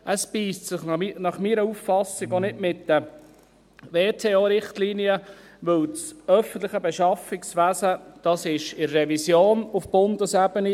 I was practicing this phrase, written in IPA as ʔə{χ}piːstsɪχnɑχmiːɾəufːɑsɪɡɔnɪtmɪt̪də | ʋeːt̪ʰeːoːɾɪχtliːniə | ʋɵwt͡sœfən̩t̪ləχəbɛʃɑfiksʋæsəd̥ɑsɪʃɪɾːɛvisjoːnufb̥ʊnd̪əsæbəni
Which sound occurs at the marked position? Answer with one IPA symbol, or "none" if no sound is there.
s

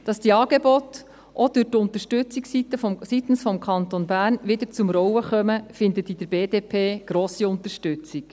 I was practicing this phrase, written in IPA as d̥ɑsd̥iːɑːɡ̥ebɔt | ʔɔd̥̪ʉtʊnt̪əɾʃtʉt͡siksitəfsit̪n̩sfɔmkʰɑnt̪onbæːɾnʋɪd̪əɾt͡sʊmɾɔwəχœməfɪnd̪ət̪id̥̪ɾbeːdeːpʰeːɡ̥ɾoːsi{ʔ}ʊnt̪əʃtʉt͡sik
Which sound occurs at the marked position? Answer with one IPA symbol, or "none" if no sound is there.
none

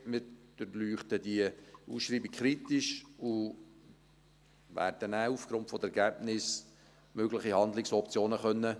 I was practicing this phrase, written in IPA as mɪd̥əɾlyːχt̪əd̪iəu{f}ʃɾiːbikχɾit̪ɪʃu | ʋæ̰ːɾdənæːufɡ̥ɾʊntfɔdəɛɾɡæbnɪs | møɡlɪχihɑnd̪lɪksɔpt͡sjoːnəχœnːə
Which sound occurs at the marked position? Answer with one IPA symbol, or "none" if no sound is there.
s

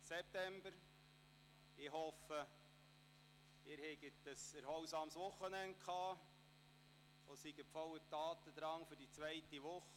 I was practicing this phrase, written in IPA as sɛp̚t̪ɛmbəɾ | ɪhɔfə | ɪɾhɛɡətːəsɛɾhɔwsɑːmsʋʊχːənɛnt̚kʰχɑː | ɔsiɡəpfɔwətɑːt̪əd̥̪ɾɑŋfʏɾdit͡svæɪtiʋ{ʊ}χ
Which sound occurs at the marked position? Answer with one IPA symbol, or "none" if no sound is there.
ʊ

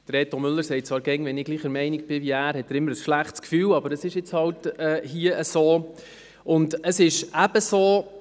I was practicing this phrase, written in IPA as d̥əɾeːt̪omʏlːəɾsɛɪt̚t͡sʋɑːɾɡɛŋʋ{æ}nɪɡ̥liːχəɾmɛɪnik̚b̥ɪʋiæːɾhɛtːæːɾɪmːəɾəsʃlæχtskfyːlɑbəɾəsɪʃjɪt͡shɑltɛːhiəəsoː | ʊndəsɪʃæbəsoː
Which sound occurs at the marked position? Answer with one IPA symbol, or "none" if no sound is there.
ɛ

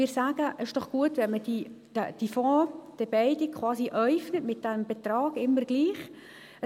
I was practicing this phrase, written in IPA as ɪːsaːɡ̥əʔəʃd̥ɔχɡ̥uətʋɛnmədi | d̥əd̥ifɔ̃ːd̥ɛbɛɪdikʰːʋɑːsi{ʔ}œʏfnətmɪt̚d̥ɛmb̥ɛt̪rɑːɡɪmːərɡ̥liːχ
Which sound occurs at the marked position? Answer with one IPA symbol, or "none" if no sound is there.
ʔ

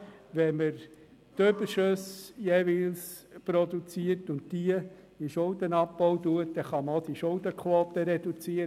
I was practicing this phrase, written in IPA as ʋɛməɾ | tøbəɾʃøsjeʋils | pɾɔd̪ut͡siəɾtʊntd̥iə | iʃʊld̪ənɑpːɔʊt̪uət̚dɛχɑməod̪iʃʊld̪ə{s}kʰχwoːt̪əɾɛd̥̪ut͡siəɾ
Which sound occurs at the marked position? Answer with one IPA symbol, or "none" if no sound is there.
none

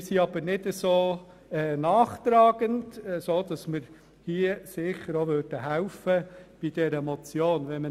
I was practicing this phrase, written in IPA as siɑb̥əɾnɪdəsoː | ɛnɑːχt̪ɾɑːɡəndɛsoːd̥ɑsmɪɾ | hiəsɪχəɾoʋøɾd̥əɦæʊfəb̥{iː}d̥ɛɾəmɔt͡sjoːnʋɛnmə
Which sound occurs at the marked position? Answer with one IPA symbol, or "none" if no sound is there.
i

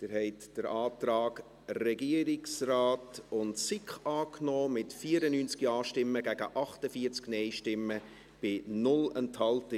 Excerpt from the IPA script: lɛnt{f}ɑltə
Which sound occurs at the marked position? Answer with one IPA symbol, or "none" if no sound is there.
h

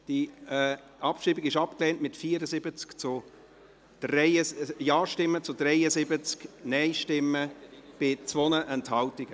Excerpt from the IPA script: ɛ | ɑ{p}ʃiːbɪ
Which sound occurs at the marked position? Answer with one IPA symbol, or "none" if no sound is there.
p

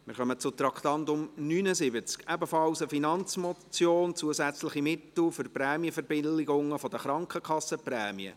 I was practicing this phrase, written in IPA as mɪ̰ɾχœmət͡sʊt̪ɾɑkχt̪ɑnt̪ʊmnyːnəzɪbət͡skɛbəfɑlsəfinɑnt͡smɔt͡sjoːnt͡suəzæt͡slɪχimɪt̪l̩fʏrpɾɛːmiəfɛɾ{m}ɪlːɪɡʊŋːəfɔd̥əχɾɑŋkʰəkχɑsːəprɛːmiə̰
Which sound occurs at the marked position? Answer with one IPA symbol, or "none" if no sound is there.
b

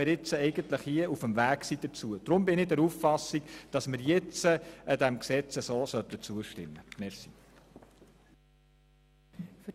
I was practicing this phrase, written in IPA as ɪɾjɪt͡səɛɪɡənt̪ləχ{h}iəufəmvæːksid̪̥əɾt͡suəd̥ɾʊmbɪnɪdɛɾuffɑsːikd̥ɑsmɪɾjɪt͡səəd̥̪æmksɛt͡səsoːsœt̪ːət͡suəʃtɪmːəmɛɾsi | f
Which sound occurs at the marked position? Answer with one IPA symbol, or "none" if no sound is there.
h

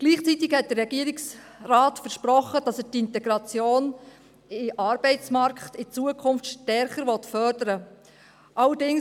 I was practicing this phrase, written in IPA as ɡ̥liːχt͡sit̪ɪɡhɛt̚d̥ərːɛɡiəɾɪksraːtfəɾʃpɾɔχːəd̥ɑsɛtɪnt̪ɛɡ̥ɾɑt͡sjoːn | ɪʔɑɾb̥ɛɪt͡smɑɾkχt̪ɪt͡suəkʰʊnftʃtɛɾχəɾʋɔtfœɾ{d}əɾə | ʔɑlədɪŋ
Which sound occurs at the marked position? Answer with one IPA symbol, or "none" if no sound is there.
d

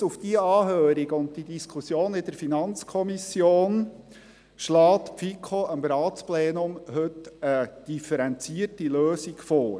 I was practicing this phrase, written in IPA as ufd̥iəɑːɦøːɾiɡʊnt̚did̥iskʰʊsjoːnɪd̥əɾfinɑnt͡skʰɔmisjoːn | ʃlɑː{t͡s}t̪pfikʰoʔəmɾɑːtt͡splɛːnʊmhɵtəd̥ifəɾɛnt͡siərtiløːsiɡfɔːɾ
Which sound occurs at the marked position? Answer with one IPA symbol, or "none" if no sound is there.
none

